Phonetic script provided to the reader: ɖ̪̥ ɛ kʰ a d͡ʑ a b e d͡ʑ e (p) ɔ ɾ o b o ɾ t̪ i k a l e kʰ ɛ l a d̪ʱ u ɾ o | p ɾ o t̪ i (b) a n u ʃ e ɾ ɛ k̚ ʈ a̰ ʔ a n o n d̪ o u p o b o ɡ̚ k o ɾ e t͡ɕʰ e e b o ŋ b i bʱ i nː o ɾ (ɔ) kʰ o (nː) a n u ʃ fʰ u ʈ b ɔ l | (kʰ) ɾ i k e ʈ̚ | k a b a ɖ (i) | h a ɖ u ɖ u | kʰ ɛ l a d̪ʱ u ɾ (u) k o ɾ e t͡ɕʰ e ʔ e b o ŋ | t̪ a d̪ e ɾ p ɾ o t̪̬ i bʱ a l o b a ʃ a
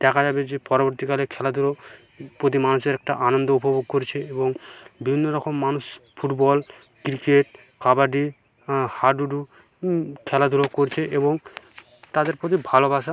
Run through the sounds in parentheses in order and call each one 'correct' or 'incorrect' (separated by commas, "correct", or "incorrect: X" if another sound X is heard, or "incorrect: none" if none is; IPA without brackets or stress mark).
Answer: correct, incorrect: m, correct, incorrect: mː, incorrect: k, correct, incorrect: o